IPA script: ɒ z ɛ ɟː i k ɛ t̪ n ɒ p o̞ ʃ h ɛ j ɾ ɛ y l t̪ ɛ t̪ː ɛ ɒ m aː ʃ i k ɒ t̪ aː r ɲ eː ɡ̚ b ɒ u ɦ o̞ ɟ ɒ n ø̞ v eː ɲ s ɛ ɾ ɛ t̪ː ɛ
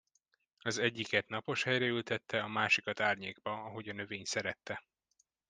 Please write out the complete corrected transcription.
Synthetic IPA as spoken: ɒ z ɛ ɟː i k ɛ t̪ n ɒ p o̞ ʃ h ɛ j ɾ ɛ y l t̪ ɛ t̪ː ɛ ɒ m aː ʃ i k ɒ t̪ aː r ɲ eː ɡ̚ b ɒ ɒ ɦ o̞ ɟ ɒ n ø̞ v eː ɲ s ɛ ɾ ɛ t̪ː ɛ